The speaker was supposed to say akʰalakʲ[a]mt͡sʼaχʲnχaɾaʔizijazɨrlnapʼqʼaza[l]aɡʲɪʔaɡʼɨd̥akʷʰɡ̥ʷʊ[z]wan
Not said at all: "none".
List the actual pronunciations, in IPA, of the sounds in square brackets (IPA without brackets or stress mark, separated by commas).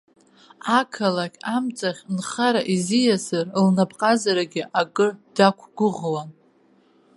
a, ɾ, ʁ